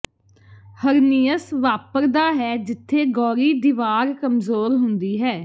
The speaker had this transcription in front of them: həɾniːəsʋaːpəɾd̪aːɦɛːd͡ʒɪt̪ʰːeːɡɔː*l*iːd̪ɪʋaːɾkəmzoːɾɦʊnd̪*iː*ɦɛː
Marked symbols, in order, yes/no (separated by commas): no, yes